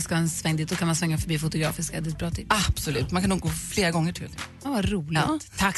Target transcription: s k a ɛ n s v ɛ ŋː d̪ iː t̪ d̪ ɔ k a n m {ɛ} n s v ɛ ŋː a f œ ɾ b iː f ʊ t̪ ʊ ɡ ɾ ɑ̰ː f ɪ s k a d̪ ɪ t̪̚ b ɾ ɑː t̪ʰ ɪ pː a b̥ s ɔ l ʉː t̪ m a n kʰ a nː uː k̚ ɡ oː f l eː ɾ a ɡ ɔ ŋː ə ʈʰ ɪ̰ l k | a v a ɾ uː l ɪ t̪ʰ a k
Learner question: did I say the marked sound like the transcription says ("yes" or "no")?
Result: no